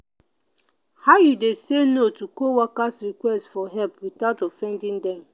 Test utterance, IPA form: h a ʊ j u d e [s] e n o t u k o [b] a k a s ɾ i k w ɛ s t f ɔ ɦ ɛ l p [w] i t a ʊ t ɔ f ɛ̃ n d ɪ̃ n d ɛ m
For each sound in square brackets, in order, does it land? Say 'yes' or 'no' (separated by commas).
yes, no, yes